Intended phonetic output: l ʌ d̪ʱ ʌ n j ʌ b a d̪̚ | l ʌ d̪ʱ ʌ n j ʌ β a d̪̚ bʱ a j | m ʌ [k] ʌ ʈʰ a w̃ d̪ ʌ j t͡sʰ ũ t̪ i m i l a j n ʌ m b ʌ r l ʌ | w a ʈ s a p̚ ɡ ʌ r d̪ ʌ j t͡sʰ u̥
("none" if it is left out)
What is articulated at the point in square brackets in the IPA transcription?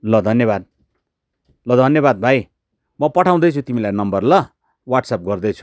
p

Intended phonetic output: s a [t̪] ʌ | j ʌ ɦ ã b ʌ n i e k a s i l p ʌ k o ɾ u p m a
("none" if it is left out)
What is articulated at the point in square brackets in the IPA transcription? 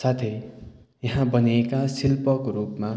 t̪ʰ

